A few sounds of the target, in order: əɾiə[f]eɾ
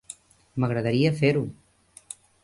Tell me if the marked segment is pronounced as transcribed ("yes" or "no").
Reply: yes